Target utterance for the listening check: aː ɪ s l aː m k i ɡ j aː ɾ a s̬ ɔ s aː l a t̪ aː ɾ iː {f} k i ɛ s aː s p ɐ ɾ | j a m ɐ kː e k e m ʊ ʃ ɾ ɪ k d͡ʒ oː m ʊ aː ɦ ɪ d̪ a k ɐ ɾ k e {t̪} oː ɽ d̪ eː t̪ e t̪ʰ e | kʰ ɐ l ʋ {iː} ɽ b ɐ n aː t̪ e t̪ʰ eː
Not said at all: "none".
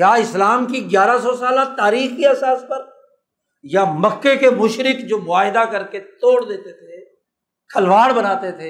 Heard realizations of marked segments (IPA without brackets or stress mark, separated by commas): x, t̪, aː